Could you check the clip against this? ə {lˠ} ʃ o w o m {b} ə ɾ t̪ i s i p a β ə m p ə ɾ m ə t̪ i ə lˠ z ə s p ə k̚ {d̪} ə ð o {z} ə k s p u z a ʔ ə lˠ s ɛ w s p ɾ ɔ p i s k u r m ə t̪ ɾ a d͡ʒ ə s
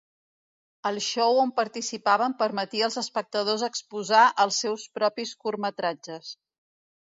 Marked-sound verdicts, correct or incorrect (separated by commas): correct, incorrect, incorrect, correct